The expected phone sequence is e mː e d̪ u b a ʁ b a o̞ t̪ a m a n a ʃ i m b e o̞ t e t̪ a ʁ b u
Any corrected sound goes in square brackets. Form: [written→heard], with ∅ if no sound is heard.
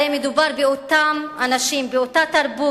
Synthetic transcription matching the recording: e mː e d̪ u b a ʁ b [a→e] o̞ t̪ a m a n a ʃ i m b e o̞ t [e→a] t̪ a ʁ b u